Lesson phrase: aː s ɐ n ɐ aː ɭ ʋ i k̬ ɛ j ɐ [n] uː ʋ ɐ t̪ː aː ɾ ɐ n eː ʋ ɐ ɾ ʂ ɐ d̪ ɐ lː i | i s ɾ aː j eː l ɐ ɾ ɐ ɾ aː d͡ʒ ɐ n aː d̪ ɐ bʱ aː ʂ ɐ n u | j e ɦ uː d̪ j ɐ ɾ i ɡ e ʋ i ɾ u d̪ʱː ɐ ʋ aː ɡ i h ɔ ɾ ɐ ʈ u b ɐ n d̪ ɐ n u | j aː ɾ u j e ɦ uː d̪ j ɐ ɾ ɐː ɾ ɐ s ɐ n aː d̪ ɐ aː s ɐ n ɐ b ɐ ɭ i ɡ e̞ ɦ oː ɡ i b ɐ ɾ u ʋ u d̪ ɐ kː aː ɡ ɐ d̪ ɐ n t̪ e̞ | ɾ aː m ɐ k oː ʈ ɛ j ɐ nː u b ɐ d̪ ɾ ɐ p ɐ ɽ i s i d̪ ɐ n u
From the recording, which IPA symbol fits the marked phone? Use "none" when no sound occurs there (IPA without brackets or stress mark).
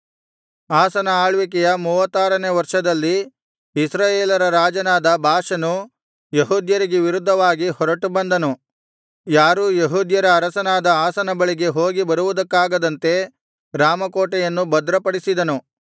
m